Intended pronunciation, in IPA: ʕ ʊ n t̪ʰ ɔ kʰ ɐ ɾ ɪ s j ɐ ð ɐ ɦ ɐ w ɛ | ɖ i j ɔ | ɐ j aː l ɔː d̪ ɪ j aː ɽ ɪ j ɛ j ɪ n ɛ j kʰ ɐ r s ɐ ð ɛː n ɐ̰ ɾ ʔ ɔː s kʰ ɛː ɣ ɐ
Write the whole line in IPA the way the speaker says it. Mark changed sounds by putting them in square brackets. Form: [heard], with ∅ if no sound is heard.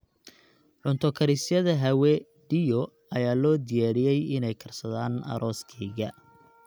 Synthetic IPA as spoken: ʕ ʊ n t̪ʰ ɔ kʰ ɐ ɾ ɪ s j ɐ ð ɐ ɦ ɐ w ɛ | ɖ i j ɔ | ɐ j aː l ɔː d̪ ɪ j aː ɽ ɪ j ɛ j ɪ n ɛ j kʰ ɐ r s ɐ ð [aː] n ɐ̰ ɾ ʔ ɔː s kʰ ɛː ɣ ɐ